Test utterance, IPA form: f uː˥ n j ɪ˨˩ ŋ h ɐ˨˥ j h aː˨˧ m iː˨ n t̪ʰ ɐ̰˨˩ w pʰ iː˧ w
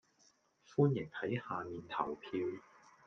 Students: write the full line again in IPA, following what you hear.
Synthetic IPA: f uː˥ n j ɪ˨˩ ŋ h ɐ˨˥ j h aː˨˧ m iː˨ n t̪ʰ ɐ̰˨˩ w pʰ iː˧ w